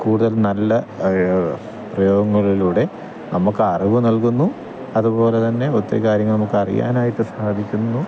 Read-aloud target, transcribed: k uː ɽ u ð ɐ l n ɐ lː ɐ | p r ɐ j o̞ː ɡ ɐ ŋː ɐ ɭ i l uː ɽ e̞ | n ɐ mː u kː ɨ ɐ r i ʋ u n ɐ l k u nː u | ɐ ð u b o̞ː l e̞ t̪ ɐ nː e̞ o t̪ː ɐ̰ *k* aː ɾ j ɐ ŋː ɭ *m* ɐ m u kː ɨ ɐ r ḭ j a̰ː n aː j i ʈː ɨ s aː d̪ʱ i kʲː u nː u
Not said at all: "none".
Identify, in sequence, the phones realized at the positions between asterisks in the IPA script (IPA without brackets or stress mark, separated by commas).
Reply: k, n